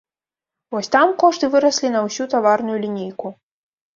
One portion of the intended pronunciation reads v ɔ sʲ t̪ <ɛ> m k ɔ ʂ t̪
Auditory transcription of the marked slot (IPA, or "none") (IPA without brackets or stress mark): a